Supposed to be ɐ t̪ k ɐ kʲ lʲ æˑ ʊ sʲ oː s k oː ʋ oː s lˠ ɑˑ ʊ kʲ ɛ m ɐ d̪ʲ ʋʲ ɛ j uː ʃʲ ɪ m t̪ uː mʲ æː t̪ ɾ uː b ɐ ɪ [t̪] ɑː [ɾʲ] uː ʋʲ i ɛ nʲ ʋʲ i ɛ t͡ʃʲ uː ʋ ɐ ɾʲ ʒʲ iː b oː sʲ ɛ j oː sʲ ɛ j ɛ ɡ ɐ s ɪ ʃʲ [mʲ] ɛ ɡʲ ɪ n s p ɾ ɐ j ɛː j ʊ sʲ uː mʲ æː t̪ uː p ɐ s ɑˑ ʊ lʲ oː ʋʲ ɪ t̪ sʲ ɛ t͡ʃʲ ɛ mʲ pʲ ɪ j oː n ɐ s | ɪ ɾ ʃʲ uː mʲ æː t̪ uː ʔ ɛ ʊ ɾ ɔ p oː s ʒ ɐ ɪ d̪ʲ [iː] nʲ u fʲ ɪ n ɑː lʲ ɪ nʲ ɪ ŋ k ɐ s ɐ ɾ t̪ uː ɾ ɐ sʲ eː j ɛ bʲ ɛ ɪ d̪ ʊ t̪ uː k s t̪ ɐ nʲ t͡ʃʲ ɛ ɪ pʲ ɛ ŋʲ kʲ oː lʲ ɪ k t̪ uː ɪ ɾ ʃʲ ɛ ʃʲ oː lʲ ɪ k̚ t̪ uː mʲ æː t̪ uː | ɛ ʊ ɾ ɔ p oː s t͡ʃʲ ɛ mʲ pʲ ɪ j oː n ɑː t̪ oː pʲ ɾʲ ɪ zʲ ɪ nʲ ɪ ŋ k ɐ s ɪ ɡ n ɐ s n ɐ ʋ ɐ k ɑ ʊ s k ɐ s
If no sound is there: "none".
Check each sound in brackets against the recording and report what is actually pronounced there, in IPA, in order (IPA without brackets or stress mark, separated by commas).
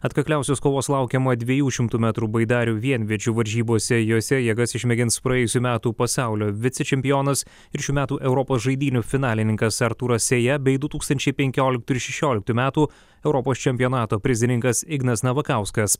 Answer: d̪, ɾʲ, mʲ, iː